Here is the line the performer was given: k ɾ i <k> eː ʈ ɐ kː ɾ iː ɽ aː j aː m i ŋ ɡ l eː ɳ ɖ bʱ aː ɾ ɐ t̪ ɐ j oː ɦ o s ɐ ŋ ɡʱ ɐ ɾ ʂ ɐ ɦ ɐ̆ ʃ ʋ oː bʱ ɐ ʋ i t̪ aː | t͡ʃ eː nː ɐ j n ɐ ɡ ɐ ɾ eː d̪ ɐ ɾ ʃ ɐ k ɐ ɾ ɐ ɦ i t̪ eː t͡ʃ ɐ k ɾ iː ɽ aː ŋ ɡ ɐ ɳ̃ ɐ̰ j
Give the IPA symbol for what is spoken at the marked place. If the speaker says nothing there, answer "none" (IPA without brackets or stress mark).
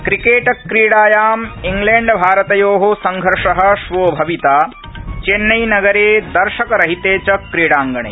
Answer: k